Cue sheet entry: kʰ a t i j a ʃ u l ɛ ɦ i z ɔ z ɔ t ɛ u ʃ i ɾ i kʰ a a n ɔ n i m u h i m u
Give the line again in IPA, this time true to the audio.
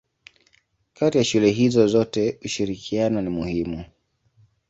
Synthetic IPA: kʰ a t i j a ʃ u l ɛ ɦ i z ɔ z ɔ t ɛ u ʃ i ɾ i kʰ i a n ɔ n i m u h i m u